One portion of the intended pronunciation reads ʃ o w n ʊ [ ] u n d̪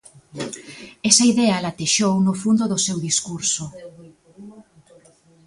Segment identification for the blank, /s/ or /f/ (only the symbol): f